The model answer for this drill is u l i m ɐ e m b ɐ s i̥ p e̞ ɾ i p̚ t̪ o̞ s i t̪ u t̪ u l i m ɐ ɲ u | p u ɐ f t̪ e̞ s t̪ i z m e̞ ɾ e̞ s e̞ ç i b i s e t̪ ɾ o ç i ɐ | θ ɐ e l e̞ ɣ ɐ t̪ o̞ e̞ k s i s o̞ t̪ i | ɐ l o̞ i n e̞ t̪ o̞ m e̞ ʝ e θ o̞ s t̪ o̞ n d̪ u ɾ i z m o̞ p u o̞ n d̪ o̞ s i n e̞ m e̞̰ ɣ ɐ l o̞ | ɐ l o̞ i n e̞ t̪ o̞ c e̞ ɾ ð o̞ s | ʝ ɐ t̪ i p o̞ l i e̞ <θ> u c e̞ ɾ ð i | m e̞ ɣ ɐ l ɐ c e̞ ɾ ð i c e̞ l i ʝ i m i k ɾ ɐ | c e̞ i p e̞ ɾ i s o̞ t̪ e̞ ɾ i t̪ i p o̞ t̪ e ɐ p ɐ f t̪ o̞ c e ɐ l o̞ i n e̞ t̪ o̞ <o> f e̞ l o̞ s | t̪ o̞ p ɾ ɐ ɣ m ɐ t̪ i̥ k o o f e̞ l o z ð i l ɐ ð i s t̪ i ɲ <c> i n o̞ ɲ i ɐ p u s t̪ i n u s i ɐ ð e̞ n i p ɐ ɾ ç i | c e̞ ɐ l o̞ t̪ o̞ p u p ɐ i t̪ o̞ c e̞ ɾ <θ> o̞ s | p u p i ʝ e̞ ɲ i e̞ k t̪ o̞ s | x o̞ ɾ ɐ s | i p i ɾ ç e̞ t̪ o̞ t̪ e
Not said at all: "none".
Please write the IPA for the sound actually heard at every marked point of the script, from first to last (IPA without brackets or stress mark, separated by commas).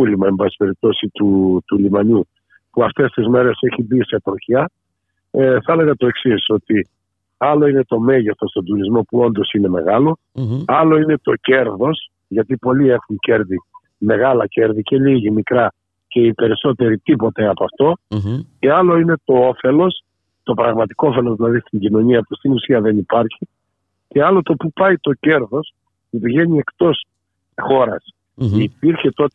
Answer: x, o, ɟ, ð